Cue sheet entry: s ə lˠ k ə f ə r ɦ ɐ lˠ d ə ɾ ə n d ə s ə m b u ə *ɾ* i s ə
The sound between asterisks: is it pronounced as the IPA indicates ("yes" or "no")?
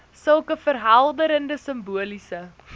no